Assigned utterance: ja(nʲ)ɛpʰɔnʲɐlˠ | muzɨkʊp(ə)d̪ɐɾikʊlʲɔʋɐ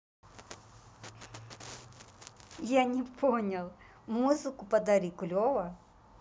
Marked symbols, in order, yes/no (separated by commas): yes, no